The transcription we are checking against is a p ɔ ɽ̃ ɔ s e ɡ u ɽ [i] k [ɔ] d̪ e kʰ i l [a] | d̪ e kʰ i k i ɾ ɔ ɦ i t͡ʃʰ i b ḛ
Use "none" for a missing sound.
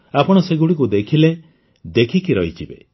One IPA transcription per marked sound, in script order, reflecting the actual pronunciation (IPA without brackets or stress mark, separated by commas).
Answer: i, u, e